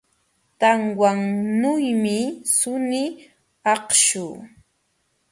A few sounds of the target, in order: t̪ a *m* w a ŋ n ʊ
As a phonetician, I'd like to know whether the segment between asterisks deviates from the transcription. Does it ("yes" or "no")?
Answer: yes